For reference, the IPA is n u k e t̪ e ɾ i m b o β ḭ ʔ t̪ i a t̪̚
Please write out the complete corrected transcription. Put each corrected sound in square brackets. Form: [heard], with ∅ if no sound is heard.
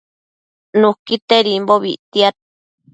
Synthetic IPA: n u k [i] t̪ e ɾ i m b o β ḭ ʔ t̪ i a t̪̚